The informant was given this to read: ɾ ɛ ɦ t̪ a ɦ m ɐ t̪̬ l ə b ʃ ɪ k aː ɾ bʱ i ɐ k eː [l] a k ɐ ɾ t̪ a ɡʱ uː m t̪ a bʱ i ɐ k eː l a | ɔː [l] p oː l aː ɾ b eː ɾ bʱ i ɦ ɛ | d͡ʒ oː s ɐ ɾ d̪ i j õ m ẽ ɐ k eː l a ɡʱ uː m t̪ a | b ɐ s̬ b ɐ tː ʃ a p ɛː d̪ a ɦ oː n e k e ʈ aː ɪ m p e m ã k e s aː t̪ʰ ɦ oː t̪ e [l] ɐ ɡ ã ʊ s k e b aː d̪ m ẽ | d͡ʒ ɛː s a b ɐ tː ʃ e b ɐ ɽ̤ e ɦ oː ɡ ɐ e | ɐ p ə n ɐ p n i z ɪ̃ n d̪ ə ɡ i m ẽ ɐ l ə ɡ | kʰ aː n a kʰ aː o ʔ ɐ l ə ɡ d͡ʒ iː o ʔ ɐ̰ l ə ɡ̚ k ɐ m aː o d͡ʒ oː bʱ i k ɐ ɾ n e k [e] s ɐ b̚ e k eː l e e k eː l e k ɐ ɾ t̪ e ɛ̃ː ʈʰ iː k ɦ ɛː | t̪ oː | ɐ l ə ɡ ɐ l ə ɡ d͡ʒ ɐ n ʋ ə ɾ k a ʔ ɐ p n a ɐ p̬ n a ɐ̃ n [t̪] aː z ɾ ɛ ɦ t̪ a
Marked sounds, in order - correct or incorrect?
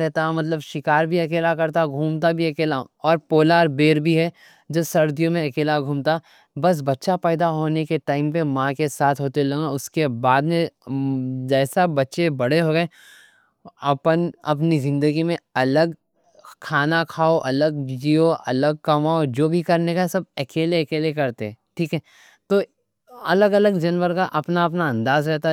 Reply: correct, incorrect: ɾ, correct, incorrect: a, incorrect: d̪

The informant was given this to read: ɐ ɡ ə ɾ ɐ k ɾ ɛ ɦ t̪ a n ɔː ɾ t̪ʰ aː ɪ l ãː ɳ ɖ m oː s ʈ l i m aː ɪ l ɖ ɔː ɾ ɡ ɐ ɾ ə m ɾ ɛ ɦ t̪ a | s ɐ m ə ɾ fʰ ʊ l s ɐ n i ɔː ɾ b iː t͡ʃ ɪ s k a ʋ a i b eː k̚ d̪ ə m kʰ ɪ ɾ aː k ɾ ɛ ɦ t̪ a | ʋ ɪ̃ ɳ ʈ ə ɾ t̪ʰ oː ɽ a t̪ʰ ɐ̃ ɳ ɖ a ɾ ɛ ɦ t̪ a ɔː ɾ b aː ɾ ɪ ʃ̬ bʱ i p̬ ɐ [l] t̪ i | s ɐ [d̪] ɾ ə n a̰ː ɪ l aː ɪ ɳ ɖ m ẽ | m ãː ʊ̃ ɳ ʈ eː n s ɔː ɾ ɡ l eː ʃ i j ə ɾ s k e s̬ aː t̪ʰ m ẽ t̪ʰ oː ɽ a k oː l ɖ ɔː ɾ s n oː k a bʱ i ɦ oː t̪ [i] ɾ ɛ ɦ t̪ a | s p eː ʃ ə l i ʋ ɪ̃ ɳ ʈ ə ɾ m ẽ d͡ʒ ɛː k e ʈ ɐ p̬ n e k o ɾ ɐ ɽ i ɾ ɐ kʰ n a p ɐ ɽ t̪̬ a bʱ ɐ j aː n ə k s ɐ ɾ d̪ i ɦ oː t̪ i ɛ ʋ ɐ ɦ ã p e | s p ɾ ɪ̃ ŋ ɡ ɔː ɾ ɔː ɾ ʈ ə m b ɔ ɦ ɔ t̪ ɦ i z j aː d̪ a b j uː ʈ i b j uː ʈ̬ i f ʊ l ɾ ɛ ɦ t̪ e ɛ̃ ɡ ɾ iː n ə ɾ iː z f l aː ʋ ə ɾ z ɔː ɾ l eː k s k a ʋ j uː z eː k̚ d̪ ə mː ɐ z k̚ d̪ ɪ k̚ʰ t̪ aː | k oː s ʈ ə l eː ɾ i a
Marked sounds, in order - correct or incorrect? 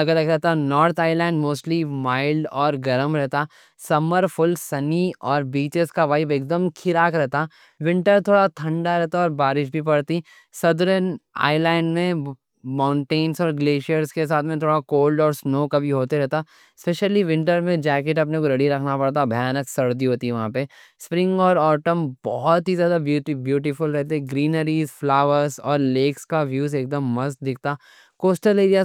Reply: incorrect: ɽ, correct, incorrect: e

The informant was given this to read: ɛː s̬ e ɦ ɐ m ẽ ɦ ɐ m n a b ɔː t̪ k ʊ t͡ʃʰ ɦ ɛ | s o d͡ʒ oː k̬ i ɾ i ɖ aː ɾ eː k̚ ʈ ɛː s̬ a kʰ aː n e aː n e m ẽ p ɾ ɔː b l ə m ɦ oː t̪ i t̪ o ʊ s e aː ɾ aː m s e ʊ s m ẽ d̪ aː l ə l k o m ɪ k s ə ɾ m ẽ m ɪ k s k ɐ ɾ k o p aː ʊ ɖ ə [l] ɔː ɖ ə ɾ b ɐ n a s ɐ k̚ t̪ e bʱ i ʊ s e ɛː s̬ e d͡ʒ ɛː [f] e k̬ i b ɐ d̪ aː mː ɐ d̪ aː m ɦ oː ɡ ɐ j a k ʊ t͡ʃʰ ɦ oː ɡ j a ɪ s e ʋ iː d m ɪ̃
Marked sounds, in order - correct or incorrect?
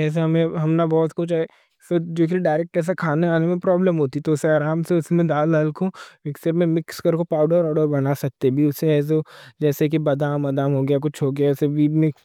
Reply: incorrect: ɾ, incorrect: s

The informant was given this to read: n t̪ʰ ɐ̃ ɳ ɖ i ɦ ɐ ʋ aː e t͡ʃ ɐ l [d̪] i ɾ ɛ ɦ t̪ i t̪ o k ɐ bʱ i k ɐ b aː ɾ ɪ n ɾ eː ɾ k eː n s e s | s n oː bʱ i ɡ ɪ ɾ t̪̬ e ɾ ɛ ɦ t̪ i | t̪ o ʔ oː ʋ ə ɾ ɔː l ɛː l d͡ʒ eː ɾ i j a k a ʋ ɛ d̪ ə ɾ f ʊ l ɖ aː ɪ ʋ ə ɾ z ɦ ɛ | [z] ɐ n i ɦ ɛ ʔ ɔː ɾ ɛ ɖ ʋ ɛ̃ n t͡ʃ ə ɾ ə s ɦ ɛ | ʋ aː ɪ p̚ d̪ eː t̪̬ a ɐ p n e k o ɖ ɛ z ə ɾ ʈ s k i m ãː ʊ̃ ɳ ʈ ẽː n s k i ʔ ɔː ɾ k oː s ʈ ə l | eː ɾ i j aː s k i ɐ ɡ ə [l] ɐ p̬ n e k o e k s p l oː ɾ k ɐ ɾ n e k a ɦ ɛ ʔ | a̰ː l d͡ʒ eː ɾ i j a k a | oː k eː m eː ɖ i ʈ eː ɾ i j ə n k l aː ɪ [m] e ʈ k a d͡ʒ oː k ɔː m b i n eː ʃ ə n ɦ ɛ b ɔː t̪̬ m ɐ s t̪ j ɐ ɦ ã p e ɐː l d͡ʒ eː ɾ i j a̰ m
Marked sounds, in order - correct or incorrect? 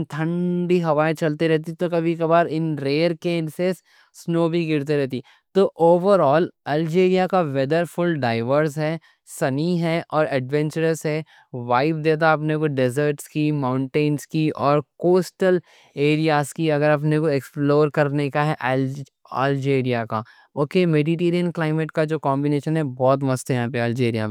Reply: incorrect: t̪, incorrect: s, incorrect: ɾ, correct

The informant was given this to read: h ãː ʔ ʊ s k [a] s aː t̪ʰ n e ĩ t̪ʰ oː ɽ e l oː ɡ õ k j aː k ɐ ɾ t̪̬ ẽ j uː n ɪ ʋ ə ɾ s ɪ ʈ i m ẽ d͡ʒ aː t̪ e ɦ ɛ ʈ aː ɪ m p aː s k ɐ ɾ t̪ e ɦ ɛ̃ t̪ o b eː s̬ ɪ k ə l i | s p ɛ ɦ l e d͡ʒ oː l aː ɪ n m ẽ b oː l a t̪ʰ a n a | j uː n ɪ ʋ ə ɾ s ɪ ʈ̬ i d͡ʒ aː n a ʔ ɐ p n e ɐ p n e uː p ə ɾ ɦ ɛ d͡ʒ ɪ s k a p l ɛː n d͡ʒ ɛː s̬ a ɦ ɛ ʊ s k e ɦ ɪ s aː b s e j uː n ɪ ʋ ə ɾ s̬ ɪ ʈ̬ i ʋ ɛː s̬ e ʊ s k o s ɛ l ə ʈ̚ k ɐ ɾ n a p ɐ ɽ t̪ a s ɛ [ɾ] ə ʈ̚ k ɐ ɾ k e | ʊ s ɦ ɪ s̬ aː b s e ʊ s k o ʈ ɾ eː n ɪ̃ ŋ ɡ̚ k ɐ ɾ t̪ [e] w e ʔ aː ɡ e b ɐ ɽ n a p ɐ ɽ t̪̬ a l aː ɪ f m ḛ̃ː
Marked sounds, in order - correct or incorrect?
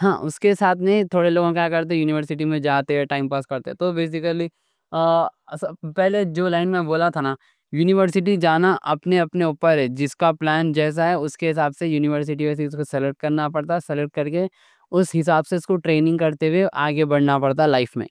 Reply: incorrect: e, incorrect: l, correct

